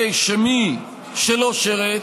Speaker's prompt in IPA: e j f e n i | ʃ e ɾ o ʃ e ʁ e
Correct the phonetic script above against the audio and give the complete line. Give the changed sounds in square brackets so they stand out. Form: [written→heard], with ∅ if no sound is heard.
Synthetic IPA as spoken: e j [f→ʃ] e [n→m] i | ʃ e [ɾ→l] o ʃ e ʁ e